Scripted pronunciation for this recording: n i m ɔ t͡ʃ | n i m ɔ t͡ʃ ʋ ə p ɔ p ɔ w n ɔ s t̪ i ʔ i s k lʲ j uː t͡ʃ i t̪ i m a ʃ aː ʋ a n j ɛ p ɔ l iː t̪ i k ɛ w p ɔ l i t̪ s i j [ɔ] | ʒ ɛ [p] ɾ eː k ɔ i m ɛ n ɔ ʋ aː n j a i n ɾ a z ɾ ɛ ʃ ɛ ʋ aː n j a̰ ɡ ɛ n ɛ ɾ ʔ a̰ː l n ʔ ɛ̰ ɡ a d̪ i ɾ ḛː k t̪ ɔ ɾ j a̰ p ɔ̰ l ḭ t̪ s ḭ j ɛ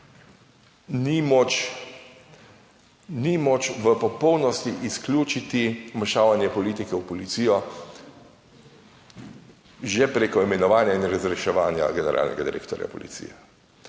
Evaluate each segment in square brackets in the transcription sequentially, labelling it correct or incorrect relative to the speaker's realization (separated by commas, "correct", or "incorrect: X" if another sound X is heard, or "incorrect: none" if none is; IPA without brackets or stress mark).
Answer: correct, correct